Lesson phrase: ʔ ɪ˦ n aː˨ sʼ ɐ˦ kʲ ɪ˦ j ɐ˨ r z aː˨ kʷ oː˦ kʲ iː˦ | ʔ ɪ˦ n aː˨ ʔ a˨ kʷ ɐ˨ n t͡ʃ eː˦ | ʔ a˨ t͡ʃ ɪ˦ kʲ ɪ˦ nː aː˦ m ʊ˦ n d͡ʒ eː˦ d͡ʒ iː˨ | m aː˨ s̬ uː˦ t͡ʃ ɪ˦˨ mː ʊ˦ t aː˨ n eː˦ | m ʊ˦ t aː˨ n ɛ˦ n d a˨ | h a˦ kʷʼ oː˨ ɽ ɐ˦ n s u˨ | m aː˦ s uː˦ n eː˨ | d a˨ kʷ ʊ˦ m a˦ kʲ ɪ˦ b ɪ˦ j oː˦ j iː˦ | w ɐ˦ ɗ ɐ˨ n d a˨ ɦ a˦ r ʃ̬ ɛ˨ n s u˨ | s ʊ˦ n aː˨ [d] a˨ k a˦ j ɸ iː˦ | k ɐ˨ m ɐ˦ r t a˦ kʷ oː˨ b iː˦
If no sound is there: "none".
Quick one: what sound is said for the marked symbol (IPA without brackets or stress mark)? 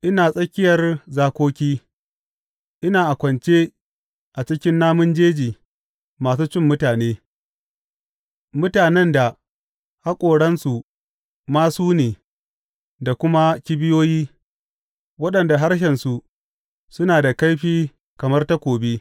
d